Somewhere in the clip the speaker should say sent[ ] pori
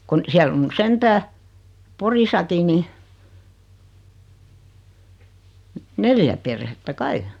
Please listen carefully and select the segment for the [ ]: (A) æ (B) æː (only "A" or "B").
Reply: B